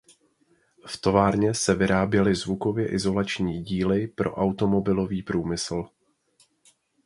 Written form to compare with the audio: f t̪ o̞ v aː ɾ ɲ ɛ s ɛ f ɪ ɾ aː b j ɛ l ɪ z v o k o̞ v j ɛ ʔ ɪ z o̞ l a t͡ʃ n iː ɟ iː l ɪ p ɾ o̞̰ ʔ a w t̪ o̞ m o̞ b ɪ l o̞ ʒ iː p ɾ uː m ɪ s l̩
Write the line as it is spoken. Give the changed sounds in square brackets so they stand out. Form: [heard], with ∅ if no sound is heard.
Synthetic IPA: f t̪ o̞ v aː ɾ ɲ ɛ s ɛ [v] ɪ ɾ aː b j ɛ l ɪ z v [u] k o̞ v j ɛ ʔ ɪ z o̞ l a t͡ʃ [ɲ] iː ɟ iː l ɪ p ɾ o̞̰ ʔ a w t̪ o̞ m o̞ b ɪ l o̞ [v] iː p ɾ uː m ɪ s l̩